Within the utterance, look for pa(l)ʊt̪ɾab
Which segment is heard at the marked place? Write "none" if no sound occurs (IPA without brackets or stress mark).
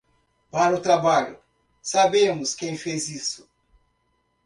ɾ